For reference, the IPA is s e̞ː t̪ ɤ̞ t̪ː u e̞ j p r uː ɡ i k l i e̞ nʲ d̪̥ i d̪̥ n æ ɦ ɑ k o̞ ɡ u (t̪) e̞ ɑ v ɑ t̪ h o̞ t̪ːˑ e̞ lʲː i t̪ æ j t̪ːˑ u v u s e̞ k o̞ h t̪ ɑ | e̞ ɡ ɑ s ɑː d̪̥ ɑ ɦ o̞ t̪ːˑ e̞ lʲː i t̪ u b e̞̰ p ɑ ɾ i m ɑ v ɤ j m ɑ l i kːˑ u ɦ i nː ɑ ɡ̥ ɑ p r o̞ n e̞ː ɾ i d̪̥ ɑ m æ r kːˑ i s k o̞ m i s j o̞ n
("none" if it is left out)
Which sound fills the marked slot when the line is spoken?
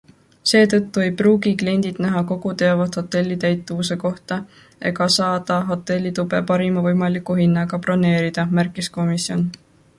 t̪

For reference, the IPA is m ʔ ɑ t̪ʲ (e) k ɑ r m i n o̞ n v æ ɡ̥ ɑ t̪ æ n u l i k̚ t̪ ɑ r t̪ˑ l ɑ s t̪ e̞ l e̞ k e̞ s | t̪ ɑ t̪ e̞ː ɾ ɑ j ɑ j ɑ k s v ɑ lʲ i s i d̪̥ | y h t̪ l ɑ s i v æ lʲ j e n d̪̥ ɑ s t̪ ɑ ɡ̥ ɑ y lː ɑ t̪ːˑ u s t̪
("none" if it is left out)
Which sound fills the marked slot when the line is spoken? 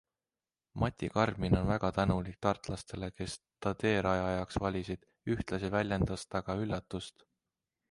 i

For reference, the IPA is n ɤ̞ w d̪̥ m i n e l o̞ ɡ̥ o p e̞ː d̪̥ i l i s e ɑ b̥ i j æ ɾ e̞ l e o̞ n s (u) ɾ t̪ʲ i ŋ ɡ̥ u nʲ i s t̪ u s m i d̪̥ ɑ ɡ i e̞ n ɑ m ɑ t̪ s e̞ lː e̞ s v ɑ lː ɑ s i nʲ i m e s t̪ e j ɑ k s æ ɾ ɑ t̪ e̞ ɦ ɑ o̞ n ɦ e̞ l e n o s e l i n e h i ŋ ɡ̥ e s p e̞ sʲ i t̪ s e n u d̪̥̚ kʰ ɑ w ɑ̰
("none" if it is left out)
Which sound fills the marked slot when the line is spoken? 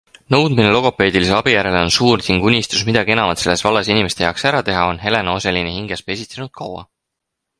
uː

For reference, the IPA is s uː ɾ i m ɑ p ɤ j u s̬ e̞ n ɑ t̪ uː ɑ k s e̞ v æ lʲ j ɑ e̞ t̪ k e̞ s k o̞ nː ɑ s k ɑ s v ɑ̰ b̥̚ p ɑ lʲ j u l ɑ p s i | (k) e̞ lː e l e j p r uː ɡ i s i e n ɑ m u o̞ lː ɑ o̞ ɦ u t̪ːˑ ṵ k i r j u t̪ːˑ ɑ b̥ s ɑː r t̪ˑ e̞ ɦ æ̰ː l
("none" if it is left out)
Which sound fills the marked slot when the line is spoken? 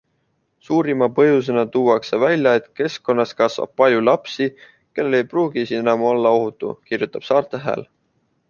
k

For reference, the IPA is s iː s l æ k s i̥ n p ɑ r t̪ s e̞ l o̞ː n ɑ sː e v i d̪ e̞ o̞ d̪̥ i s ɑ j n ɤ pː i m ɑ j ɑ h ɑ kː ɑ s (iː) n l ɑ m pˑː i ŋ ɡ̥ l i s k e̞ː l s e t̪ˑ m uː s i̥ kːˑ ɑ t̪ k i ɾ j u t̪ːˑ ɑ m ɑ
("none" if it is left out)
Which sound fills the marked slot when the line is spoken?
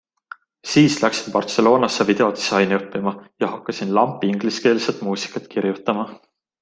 i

